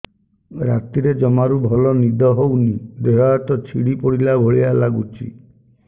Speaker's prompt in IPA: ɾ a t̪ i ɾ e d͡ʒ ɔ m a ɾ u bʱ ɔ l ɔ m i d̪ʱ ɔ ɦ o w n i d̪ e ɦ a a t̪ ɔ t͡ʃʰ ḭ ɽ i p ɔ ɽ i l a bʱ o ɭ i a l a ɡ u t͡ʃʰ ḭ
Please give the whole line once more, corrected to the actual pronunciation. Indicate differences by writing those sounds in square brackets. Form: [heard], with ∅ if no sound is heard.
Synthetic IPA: ɾ a t̪ i ɾ e d͡ʒ ɔ m a ɾ u bʱ ɔ l ɔ [n] i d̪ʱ ɔ ɦ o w n i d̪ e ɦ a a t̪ ɔ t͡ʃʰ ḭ ɽ i p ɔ ɽ i l a bʱ o ɭ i a l a ɡ u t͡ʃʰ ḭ